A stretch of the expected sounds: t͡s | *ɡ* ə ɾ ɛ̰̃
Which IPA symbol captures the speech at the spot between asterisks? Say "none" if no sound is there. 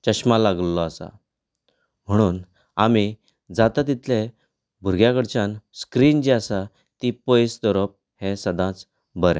b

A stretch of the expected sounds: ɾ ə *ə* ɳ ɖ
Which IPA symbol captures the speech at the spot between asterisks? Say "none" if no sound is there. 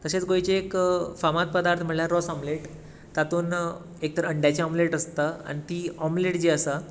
ə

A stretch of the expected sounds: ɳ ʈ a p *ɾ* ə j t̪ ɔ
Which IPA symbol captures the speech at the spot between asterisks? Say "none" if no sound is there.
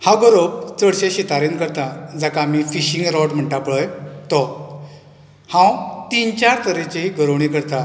ɭ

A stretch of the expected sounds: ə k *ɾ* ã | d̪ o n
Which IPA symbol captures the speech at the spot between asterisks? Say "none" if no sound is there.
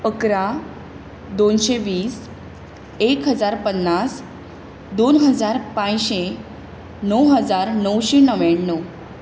ɾ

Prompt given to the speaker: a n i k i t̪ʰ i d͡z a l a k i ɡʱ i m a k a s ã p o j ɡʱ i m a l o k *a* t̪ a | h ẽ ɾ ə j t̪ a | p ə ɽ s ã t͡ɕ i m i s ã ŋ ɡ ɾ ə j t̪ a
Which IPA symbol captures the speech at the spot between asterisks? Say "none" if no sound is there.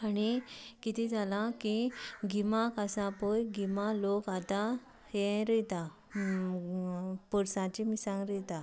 a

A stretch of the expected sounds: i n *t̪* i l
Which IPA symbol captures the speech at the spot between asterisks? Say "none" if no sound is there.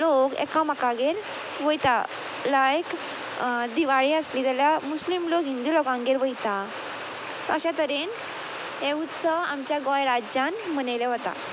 d̪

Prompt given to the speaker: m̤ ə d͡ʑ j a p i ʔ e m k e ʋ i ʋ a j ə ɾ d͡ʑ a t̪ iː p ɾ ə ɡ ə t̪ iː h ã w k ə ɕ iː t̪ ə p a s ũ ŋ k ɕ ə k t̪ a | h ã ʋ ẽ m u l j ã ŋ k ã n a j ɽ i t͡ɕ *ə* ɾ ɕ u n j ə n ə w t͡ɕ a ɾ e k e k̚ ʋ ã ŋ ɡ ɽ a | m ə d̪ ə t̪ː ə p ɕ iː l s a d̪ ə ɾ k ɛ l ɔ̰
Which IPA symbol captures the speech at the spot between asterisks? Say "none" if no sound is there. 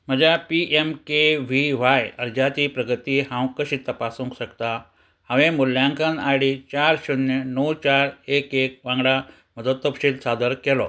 a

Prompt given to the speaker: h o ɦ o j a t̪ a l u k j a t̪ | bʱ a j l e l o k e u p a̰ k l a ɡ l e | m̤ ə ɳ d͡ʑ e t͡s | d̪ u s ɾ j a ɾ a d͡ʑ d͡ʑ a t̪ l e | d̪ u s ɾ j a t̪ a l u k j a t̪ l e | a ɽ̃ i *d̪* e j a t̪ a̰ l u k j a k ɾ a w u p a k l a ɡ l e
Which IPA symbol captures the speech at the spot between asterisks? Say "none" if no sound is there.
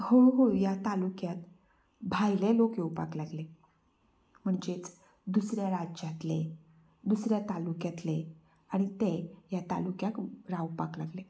t̪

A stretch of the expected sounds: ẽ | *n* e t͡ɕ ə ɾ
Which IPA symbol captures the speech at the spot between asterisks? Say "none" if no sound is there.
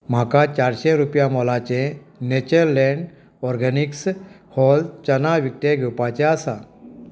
n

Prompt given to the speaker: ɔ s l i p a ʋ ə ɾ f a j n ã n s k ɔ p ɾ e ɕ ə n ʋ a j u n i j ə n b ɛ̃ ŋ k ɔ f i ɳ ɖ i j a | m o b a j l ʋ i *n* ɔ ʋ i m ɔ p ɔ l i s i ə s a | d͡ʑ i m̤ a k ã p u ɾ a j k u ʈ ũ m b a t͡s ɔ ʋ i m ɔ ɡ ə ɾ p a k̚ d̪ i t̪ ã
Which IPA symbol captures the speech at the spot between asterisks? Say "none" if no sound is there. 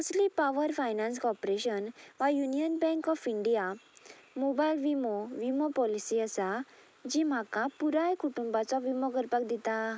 m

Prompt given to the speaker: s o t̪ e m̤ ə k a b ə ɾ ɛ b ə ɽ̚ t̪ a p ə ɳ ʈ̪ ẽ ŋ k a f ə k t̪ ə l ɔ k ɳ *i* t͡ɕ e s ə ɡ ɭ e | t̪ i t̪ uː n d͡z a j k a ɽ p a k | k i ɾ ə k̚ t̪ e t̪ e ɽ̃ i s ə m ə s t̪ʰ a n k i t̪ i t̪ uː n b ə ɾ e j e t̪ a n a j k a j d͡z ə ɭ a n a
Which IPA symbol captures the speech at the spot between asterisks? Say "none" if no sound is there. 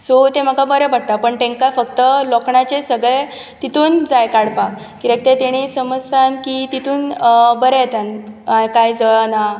a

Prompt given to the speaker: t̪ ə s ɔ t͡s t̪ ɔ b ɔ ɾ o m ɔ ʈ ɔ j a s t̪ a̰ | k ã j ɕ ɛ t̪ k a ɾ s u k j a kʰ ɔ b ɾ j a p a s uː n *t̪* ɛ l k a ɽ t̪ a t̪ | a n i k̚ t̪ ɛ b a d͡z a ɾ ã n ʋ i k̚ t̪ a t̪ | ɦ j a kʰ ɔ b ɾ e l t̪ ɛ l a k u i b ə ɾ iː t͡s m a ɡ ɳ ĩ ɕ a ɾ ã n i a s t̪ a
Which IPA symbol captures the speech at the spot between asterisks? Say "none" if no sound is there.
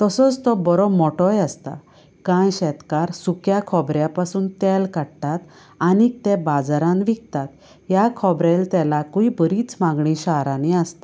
t̪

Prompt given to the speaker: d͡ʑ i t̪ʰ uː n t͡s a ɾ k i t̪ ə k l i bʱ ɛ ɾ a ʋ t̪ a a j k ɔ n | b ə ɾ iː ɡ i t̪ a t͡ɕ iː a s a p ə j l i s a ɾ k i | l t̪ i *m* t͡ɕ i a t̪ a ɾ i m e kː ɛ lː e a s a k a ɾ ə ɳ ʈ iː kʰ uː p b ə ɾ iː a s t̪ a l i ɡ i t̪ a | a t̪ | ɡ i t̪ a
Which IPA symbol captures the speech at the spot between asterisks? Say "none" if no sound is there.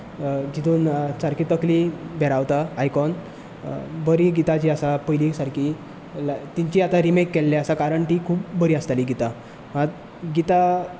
ɲ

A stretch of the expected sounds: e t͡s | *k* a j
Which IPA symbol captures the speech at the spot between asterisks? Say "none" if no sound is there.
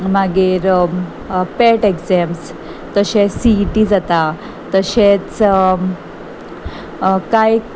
k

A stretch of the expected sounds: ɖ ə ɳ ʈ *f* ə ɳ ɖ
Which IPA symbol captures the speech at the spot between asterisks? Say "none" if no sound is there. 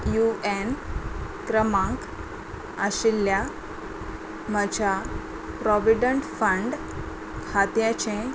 f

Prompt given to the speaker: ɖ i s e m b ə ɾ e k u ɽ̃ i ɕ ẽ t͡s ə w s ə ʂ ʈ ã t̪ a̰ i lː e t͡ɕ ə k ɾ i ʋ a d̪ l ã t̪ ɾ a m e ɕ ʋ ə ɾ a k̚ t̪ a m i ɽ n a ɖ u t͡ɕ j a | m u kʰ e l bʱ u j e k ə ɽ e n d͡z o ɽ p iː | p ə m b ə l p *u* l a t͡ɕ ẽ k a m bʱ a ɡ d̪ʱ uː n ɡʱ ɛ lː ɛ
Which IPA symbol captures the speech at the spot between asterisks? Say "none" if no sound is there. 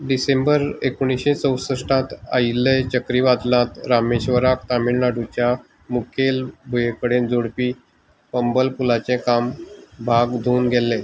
u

